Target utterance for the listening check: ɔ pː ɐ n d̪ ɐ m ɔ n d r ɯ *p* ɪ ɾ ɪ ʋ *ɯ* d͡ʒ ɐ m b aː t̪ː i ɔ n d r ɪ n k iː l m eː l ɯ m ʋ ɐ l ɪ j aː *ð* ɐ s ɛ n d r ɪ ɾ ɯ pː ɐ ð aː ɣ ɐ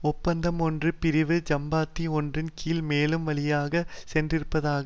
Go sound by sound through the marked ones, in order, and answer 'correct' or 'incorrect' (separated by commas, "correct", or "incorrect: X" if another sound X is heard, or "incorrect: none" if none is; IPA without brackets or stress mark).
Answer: correct, correct, incorrect: ɣ